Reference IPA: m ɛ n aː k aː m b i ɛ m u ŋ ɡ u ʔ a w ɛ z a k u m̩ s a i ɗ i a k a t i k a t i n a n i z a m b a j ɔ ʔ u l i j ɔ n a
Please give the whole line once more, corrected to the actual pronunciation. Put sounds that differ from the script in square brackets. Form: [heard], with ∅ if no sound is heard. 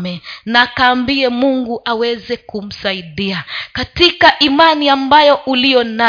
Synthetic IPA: m ɛ n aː k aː m b i ɛ m u ŋ ɡ u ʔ a w ɛ z [ɛ] k u m̩ s a i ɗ i a k a t i k a [ʔ] i [m] a n i [∅] a m b a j ɔ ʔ u l i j ɔ n a